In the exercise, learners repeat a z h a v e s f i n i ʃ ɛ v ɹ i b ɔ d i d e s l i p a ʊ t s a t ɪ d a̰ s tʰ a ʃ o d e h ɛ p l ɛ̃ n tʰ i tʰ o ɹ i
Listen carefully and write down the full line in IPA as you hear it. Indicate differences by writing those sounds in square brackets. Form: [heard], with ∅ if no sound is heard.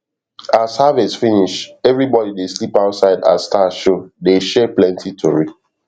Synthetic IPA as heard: a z h a v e s f i n i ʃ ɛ v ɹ i b ɔ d i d e s l i p a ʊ t s a [∅] ɪ d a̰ s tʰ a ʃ o d e [ʃ] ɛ p l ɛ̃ n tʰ i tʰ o ɹ i